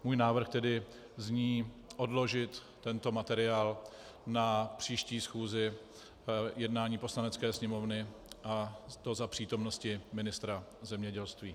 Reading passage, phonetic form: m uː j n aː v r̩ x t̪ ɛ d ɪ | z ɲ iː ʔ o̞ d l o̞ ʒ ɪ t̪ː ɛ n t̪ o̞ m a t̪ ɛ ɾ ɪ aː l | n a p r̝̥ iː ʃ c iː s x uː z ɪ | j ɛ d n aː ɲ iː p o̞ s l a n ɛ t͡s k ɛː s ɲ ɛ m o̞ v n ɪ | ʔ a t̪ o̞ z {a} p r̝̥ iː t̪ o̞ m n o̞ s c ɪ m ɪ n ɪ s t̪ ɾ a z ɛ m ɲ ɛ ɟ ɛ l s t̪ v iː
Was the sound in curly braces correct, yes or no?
yes